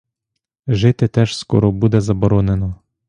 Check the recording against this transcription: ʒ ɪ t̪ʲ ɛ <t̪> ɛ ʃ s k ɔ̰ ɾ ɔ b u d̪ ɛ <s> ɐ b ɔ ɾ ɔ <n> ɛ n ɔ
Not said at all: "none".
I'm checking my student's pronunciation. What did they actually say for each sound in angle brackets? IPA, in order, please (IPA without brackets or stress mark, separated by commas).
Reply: t̪, z, n